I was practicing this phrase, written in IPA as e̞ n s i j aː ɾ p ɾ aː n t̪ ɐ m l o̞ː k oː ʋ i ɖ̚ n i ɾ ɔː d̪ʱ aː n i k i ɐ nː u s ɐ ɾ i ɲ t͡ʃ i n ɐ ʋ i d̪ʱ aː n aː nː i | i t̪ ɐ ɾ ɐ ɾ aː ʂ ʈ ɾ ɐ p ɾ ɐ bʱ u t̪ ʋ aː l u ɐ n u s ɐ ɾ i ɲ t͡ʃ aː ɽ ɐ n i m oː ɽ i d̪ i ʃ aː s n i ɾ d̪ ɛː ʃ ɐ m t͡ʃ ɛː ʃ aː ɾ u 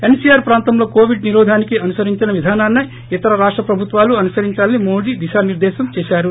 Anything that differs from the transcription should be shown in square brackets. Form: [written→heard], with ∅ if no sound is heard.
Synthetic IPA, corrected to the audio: e̞ n s i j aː ɾ p ɾ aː n t̪ ɐ m l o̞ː k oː ʋ i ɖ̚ n i ɾ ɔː d̪ʱ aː n i k i ɐ [nː→n] u s ɐ ɾ i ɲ t͡ʃ i n ɐ ʋ i d̪ʱ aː n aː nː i | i t̪ ɐ ɾ ɐ ɾ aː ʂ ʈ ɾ ɐ p ɾ ɐ bʱ u t̪ ʋ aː l u ɐ n u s ɐ ɾ i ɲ t͡ʃ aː [ɽ→l] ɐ n i m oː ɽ i d̪ i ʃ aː [s→∅] n i ɾ d̪ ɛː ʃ ɐ m t͡ʃ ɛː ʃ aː ɾ u